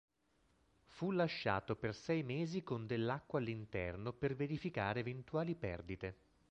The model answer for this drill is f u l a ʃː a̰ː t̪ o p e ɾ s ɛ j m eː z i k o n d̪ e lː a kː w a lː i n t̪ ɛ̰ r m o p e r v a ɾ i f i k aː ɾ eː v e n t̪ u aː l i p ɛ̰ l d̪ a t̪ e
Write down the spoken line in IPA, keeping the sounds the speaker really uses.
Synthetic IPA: f u l a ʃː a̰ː t̪ o p e r s ɛ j m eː z i k o n d̪ e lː a kː w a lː i n t̪ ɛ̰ r n o p e r v e ɾ i f i k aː ɾ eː v e n t̪ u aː l i p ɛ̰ r d̪ i t̪ e